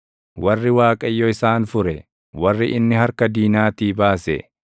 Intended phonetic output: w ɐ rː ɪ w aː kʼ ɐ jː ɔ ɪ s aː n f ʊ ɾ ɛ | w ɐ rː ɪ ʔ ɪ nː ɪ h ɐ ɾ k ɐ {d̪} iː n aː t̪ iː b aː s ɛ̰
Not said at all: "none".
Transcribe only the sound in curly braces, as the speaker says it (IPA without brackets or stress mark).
d̪